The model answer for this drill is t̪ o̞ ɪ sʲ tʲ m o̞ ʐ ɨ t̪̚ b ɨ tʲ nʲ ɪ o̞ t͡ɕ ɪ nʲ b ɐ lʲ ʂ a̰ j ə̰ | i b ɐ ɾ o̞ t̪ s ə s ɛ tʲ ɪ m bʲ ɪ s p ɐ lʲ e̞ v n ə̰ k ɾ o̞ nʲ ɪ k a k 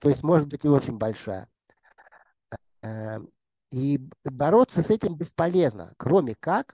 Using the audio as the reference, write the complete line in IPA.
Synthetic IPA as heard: t̪ o̞ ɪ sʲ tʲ m o̞ ʐ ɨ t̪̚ b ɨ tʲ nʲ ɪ o̞ t͡ɕ ɪ nʲ b ɐ lʲ ʂ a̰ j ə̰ | i b ɐ ɾ o̞ t̪ s ə s ɛ tʲ ɪ m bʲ ɪ s p ɐ lʲ e̞ z n ə̰ k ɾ o̞ mʲ ɪ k a k